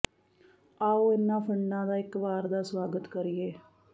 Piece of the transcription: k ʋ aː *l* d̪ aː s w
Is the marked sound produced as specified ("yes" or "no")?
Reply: no